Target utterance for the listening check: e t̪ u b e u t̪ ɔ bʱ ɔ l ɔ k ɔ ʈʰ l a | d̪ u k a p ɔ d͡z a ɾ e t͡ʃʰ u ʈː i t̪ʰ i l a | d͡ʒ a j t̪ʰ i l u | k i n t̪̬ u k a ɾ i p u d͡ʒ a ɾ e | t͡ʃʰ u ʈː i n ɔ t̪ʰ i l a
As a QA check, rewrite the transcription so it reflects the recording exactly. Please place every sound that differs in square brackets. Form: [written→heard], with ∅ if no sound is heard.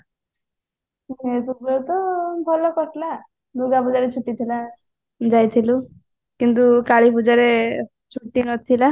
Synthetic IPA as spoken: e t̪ u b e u t̪ ɔ bʱ ɔ l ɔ k ɔ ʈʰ l a | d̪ u [k→ɡ] a p [ɔ→u] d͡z a ɾ e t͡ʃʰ u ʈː i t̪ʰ i l a | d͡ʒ a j t̪ʰ i l u | k i n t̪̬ u k a [ɾ→ɭ] i p u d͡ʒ a ɾ e | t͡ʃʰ u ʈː i n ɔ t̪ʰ i l a